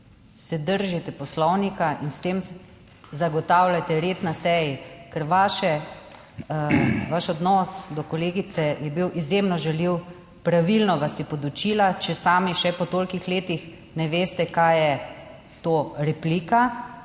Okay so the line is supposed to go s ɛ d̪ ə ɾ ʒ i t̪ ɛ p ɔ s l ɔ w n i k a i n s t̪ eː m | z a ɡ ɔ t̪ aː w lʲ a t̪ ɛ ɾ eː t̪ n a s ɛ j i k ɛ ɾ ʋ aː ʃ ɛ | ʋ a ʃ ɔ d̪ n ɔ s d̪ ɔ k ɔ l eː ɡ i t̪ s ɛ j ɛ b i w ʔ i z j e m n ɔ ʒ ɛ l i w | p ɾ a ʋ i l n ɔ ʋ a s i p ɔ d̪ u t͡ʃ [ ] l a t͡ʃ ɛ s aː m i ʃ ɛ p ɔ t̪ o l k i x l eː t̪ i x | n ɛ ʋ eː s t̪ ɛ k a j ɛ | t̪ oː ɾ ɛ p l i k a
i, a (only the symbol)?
i